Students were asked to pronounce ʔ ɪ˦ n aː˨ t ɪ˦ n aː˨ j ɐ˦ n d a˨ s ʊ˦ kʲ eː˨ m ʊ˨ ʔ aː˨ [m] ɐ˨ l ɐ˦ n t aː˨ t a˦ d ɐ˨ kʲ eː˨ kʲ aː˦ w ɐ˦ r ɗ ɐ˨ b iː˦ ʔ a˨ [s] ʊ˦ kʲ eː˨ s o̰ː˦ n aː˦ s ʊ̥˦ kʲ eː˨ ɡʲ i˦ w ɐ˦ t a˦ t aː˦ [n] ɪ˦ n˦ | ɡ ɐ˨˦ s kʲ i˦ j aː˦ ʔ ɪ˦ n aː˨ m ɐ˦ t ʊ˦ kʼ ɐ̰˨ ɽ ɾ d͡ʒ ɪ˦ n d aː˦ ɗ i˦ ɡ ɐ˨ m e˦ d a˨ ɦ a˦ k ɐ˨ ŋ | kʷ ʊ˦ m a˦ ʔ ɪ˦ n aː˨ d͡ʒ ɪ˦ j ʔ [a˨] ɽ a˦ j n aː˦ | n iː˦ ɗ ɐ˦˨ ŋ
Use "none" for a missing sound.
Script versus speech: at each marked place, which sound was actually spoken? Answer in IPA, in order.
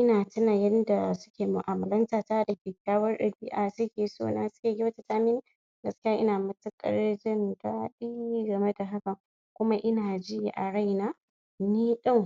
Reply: m, s, m, a˨

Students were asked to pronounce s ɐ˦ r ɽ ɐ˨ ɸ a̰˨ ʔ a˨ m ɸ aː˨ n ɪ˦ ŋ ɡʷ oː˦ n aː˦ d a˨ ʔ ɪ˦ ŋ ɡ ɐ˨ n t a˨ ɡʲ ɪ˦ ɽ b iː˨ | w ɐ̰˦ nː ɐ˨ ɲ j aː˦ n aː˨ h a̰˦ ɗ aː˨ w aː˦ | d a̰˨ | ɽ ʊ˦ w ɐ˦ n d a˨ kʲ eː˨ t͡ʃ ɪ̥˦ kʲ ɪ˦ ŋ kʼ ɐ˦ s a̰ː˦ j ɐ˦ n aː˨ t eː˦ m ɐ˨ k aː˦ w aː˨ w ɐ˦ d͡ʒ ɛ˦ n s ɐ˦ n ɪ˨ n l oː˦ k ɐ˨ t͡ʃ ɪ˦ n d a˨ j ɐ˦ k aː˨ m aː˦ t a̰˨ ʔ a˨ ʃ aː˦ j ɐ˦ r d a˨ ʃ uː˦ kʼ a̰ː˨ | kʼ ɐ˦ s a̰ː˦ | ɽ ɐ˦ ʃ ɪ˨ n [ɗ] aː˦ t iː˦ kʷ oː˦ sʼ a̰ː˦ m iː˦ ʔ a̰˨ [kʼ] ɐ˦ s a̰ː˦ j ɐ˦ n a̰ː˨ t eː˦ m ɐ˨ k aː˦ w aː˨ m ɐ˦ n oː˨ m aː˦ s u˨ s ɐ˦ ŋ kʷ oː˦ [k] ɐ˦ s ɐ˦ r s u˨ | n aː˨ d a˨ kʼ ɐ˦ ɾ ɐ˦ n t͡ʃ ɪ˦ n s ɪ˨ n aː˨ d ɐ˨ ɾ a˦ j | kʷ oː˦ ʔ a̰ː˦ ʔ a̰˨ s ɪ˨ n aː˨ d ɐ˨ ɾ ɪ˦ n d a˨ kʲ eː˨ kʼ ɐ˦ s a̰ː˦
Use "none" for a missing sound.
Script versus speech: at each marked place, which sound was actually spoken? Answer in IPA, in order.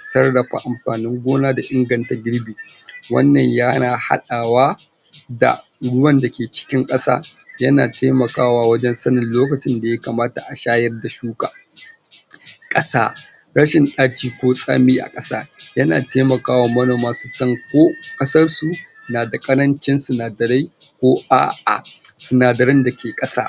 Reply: ɗ, kʼ, kʼ

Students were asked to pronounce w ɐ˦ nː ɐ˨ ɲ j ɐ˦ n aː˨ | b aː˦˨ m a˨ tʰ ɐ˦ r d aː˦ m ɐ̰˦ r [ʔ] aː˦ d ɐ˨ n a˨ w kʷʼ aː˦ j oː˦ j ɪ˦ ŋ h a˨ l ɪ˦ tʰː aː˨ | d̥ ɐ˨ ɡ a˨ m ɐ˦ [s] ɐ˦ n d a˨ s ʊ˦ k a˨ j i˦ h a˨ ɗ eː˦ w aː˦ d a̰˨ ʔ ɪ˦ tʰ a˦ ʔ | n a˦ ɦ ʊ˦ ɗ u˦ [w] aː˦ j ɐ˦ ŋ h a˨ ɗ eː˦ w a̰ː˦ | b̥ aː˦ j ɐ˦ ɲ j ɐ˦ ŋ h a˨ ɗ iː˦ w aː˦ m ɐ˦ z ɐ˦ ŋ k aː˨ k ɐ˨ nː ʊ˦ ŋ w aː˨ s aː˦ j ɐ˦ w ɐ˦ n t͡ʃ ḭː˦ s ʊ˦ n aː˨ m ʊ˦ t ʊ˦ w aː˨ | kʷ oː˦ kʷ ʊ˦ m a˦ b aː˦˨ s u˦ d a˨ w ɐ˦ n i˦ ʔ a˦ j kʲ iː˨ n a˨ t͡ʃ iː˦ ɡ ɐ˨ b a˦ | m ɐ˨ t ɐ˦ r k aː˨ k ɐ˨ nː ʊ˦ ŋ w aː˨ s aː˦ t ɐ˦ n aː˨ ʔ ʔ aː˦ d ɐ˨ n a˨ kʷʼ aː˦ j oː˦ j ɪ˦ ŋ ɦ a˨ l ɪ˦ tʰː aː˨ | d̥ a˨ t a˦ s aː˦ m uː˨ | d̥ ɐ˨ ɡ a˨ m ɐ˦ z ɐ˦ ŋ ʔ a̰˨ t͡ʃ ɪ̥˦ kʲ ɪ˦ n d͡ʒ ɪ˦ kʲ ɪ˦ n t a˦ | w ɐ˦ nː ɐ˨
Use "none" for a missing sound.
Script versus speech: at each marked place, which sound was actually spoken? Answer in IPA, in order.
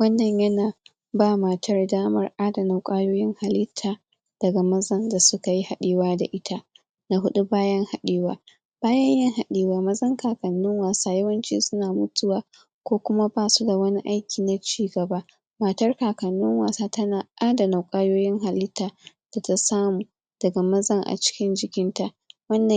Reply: ʔ, z, b

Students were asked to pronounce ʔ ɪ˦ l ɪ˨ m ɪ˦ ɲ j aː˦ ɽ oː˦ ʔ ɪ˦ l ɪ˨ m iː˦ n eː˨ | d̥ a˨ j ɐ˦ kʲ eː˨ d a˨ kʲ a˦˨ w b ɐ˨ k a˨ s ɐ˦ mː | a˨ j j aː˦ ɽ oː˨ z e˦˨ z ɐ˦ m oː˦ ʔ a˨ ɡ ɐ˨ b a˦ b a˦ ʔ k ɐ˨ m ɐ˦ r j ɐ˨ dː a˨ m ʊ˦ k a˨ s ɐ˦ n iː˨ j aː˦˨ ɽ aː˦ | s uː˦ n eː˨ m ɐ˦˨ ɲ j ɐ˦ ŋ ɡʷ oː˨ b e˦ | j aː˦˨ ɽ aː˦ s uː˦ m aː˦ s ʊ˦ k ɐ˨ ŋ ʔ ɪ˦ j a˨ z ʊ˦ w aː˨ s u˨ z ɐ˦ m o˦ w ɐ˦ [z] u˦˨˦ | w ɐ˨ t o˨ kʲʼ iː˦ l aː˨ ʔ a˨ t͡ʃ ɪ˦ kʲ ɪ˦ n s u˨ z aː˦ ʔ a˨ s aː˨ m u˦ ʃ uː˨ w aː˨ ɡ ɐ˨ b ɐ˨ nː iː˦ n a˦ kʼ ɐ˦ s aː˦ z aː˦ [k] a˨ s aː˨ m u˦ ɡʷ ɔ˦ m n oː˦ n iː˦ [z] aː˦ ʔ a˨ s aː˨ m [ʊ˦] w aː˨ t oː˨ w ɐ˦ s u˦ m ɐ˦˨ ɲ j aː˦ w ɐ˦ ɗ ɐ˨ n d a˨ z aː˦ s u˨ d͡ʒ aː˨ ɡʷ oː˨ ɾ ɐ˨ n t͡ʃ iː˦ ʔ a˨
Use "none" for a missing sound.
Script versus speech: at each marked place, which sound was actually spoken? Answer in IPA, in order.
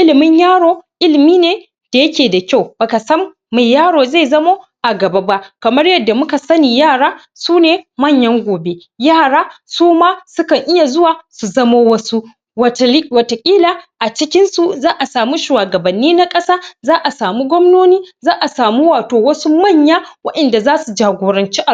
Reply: s, ʔ, z, u˦

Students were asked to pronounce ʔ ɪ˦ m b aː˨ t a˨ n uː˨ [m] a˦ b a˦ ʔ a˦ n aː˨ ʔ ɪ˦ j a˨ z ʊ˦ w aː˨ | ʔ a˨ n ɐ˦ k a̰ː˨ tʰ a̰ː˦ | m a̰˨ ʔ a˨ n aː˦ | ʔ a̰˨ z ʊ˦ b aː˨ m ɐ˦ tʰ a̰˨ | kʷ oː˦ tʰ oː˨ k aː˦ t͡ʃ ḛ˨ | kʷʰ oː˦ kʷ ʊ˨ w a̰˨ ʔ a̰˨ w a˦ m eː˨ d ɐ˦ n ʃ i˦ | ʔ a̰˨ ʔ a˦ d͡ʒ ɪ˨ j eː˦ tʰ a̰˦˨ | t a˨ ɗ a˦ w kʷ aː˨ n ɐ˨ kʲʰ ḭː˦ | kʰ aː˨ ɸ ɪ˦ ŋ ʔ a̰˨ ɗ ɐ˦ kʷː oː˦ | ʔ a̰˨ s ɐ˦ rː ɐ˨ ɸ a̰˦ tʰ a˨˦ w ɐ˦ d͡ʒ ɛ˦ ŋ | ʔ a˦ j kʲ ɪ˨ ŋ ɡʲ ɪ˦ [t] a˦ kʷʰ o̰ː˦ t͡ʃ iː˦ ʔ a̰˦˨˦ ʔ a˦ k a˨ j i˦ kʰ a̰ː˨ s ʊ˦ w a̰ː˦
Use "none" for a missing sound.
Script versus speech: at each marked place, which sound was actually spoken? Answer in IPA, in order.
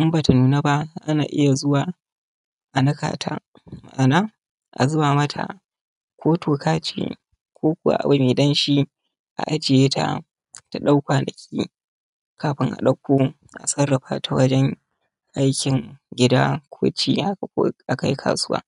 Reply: n, d

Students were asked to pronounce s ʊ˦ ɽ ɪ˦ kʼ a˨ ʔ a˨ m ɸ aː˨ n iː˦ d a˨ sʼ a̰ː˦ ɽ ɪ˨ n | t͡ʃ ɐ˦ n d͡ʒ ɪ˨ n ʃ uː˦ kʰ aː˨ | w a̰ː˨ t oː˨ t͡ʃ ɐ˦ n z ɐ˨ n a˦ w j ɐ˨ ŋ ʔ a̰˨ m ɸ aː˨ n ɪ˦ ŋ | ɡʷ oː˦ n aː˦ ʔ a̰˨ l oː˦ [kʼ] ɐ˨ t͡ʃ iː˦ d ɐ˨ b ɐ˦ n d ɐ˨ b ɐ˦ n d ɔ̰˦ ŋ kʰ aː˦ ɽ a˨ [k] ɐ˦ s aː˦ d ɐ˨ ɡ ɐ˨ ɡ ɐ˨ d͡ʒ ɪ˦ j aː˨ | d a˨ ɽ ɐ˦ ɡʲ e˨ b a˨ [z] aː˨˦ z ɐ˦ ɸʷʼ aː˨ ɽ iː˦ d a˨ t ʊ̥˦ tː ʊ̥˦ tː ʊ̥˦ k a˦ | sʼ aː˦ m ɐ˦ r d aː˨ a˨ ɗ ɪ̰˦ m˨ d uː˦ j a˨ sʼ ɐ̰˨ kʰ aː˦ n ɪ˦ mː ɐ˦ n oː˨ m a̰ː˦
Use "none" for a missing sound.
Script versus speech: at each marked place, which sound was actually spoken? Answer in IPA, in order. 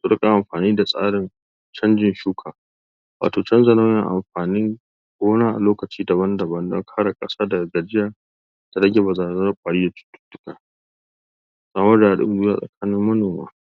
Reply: k, kʼ, z

